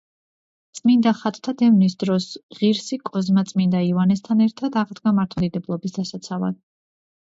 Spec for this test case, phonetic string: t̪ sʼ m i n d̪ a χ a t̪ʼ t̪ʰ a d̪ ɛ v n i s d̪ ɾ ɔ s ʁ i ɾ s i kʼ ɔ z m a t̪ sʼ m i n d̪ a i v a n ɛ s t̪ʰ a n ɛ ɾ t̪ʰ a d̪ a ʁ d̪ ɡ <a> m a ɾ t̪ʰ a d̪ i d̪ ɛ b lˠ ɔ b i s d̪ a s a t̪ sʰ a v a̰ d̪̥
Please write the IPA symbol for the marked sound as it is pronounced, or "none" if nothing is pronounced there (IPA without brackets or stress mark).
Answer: a